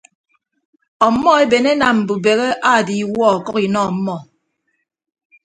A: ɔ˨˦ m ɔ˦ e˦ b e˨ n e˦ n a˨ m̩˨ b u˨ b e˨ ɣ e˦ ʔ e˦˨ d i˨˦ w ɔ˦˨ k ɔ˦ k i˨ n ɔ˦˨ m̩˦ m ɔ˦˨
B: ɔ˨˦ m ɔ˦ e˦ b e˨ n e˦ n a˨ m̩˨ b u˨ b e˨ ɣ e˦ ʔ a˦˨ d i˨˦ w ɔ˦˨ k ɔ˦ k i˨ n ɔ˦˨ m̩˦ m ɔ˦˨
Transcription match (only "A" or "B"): B